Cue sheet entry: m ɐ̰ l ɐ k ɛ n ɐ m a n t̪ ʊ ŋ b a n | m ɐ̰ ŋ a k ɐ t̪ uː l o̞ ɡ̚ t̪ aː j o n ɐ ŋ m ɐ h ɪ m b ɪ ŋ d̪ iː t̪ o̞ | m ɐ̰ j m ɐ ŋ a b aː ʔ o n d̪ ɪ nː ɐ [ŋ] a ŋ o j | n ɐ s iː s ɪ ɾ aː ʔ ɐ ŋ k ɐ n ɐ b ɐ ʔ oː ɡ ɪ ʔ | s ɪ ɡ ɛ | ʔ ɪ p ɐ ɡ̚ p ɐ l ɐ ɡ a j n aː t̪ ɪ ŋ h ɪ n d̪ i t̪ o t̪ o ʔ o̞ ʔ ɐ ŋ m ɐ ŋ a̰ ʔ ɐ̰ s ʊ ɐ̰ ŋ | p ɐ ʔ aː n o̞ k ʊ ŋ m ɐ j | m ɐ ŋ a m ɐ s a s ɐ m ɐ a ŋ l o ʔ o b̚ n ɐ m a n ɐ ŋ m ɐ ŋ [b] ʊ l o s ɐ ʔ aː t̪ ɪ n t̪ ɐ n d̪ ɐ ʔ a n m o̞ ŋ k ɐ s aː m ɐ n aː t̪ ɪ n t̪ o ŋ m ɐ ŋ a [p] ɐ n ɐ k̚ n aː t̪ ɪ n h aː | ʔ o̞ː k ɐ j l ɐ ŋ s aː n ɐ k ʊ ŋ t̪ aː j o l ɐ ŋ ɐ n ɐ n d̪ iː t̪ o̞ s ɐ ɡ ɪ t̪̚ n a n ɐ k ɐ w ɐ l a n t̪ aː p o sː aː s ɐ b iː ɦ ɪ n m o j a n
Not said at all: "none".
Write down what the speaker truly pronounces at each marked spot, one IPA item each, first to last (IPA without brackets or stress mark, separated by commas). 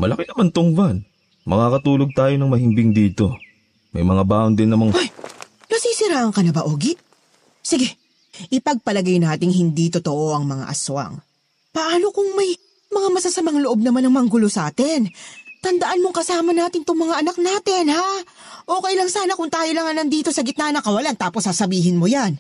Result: m, ɡ, ʔ